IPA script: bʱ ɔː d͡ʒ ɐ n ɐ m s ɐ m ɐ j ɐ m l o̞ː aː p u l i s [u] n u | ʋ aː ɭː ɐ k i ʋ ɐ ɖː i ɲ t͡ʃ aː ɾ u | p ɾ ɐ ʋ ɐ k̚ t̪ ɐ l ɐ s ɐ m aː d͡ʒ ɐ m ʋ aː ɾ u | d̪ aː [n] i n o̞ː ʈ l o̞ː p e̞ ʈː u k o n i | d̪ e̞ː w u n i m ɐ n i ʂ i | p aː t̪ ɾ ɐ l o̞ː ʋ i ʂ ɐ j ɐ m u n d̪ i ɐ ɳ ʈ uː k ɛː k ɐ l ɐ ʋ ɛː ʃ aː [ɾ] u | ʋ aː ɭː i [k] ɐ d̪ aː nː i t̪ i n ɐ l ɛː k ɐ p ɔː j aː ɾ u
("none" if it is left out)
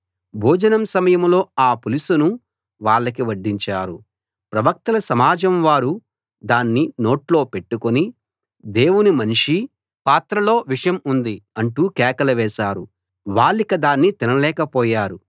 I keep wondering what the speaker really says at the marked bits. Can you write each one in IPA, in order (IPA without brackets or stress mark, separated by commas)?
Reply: u, nː, ɾ, k